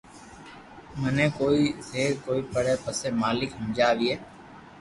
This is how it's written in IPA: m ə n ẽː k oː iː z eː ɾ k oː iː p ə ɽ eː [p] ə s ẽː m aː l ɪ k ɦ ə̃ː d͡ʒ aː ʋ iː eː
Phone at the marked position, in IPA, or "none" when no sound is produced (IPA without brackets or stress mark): p